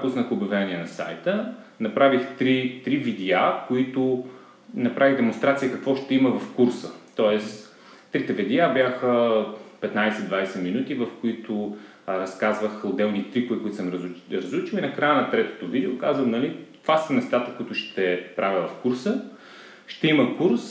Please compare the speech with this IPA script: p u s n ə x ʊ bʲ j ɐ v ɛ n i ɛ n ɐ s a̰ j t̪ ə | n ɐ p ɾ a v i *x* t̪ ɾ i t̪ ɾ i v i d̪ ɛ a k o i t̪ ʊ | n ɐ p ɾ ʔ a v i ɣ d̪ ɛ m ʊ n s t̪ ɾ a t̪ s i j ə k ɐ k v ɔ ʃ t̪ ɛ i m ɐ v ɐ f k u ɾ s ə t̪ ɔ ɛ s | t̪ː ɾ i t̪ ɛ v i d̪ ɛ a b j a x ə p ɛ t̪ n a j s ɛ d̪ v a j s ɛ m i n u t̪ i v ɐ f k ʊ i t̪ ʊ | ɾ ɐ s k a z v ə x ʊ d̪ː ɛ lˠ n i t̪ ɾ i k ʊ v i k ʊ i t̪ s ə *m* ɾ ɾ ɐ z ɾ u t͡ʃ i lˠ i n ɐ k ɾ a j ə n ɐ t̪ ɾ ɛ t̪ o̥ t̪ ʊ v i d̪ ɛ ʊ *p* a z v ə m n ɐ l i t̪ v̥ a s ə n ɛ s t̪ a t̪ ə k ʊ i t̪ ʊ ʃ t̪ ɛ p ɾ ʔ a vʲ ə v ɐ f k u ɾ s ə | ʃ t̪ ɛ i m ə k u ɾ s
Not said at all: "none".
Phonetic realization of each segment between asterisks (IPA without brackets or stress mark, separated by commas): x, m, k